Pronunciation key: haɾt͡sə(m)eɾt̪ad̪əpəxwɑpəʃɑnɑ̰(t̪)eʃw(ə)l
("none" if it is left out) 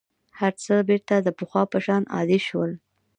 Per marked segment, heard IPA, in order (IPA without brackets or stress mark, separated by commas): b, d̪, ə